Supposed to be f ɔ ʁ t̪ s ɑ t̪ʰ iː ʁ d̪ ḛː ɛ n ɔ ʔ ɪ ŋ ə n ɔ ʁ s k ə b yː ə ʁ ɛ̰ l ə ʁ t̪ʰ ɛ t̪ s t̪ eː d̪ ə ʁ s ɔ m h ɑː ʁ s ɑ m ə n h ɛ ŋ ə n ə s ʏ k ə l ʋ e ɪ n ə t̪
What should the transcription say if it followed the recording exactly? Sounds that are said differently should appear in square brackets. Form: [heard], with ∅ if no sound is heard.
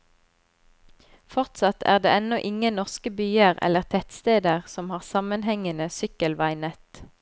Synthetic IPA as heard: f ɔ ʁ t̪ s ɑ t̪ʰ [æː] ʁ d̪ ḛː ɛ n ɔ ʔ ɪ ŋ ə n ɔ ʁ s k ə b yː ə ʁ ɛ̰ l ə ʁ t̪ʰ ɛ t̪ s t̪ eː d̪ ə ʁ s ɔ m h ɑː ʁ s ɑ m ə n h ɛ ŋ ə n ə s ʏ k ə l ʋ [æ] ɪ n ə t̪

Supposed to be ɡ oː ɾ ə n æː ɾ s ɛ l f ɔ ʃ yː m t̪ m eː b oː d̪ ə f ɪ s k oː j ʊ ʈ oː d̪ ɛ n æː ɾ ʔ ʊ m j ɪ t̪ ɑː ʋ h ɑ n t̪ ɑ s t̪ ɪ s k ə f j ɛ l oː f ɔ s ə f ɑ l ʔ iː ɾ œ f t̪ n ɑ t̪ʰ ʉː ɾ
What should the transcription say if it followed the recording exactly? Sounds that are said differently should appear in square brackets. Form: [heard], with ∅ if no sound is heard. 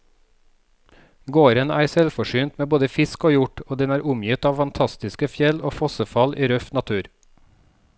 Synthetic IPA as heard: ɡ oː ɾ ə n æː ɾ s ɛ l f ɔ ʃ yː [n] t̪ m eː b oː d̪ ə f ɪ s k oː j ʊ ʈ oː d̪ ɛ n æː ɾ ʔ ʊ m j ɪ t̪ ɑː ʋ [f] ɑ n [t̪ʰ] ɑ s t̪ ɪ s k ə f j ɛ l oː f ɔ s ə f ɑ l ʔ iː ɾ œ f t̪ n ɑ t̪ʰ ʉː ɾ

